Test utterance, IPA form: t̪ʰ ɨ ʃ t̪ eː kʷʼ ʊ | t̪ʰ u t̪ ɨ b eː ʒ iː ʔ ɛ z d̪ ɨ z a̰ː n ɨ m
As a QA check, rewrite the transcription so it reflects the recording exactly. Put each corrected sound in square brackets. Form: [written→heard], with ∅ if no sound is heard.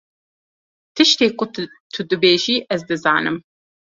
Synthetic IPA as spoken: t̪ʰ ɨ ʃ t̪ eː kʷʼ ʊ | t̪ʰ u [t̪→d̪] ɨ b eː ʒ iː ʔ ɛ z d̪ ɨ z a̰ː n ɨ m

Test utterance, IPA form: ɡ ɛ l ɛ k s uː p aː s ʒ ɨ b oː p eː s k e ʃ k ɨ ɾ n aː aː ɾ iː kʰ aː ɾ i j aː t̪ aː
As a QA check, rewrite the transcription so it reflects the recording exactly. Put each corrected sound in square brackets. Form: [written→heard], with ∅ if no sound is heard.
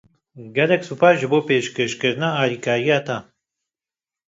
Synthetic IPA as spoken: ɡ ɛ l ɛ k s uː p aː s ʒ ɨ b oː p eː [s→ʃ] k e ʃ k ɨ ɾ n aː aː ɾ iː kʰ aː ɾ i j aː t̪ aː

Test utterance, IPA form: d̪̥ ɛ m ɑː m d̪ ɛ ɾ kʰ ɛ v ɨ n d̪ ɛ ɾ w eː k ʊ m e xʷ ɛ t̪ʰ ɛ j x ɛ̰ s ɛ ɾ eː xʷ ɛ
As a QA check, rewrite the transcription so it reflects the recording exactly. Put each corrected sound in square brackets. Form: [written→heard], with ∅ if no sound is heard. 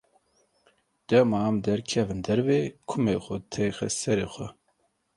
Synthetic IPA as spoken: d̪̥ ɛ m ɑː m d̪ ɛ ɾ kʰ ɛ v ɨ n d̪ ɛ ɾ [w→v] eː [k→kʰ] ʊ m e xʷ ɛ t̪ʰ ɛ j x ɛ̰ s ɛ ɾ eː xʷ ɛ

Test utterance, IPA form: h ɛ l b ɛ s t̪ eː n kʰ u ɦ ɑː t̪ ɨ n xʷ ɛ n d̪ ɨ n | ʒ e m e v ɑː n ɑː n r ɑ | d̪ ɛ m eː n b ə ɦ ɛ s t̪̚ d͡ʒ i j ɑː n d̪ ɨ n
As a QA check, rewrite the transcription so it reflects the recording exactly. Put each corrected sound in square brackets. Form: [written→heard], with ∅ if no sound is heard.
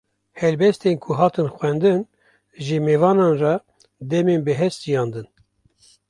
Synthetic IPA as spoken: h ɛ l b ɛ s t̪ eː n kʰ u ɦ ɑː t̪ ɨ n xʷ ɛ n d̪ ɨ n | ʒ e m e v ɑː n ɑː n r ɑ | d̪ ɛ m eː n b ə ɦ ɛ s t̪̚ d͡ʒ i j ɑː n d̪ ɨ n

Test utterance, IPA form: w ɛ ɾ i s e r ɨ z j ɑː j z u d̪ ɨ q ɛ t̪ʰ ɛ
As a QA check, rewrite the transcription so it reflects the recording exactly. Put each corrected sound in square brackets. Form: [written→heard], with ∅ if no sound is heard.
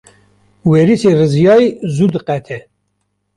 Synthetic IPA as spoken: w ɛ ɾ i s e r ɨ z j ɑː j z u d̪ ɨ q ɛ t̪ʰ ɛ

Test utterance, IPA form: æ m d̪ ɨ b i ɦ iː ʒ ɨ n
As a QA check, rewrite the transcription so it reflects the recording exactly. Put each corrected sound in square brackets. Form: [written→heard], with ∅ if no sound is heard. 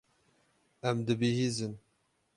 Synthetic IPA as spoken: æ m d̪ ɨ b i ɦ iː [ʒ→z] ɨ n

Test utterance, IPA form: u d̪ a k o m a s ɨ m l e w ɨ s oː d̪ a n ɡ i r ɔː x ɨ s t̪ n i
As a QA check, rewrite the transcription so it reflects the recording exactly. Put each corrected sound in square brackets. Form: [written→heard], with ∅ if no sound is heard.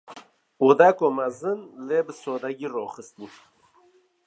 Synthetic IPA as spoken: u d̪ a k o m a [s→z] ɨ [m→n] l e [w→b] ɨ s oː d̪ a [n→∅] ɡ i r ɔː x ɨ s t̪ n i

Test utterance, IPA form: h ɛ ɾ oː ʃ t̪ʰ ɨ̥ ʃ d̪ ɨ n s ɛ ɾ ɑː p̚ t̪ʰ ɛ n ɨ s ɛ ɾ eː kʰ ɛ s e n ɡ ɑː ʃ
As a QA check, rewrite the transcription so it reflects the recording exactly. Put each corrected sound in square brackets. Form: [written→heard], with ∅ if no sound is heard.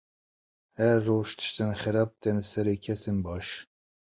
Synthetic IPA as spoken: h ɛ [ɾ→ɾː] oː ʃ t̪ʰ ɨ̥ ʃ [d̪→t̪] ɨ n [s→x] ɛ ɾ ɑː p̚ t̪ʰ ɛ n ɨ s ɛ ɾ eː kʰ ɛ s e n [ɡ→b] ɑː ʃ

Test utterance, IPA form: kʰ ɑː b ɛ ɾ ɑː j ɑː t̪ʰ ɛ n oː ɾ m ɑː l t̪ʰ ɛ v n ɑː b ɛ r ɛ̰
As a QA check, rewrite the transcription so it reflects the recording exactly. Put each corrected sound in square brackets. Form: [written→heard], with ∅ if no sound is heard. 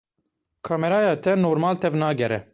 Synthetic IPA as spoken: kʰ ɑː [b→m] ɛ ɾ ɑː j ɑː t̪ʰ ɛ n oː ɾ m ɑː l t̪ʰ ɛ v n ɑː [b→ɡ] ɛ [r→ɾ] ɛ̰

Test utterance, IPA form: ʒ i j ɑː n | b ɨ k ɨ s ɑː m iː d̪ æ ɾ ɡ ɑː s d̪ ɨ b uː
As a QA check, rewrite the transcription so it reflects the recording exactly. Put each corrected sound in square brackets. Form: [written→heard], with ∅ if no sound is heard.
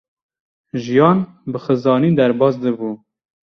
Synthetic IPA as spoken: ʒ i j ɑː n | b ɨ [k→x] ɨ [s→z] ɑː [m→n] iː d̪ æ ɾ [ɡ→b] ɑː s d̪ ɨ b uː

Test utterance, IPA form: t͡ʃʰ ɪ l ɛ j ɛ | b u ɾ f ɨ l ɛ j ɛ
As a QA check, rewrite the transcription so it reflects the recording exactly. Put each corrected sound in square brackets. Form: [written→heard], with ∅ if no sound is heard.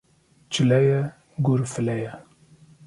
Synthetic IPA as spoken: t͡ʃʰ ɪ l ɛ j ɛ | [b→ɡ] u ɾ f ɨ l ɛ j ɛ

